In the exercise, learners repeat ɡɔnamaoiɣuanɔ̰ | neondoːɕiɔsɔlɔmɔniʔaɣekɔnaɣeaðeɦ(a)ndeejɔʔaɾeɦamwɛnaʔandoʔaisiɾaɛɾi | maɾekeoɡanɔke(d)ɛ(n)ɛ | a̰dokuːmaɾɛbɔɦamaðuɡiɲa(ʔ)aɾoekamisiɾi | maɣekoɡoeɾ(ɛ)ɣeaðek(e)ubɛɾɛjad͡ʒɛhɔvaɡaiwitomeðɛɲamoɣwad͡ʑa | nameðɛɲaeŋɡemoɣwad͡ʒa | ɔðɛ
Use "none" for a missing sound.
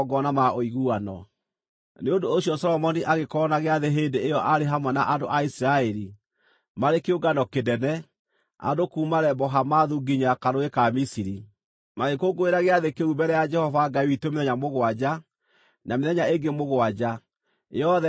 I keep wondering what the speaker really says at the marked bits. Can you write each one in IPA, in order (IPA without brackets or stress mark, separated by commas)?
e, d, n, k, a, e